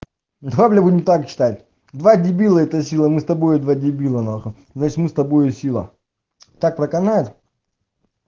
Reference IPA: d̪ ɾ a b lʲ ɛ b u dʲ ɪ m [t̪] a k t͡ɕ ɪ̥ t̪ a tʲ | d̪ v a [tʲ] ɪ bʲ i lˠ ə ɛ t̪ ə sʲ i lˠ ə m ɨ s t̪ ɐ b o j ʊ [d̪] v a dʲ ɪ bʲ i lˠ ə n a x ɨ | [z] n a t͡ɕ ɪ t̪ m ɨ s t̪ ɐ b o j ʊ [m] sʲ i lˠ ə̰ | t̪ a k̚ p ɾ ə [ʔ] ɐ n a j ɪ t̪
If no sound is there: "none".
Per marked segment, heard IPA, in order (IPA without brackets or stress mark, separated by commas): t̪, dʲ, d̪, z, none, k